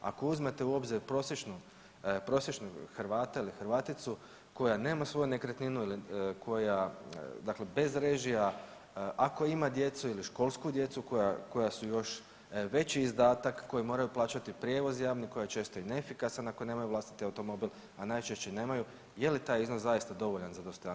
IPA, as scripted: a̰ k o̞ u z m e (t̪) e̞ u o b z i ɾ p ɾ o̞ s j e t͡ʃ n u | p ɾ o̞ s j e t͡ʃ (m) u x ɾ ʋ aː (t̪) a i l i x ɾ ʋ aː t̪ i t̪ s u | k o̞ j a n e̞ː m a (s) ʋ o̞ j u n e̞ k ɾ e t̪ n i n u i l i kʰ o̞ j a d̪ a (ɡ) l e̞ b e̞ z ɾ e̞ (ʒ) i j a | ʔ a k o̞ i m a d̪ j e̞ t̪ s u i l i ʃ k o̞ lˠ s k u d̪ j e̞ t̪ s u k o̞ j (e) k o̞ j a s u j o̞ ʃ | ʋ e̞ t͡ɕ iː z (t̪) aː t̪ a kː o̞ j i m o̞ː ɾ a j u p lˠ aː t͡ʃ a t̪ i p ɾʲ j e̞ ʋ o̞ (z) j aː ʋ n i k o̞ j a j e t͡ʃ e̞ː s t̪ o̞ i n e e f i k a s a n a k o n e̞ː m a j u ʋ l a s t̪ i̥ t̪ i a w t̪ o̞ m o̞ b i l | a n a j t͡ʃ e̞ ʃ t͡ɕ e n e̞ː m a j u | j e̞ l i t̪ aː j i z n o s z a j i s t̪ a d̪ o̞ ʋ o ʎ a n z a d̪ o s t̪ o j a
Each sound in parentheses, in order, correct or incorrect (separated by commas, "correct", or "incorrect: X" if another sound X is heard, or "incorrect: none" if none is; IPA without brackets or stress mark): correct, incorrect: n, correct, correct, incorrect: k, correct, incorrect: a, incorrect: d̪, correct